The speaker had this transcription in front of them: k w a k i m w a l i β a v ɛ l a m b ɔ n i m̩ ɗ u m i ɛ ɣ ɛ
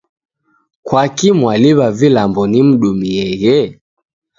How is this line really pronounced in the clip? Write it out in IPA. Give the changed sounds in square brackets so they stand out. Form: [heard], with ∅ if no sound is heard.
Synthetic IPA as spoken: k w a k i m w a l i β a v [i] l a m b ɔ n i m̩ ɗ u m i ɛ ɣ ɛ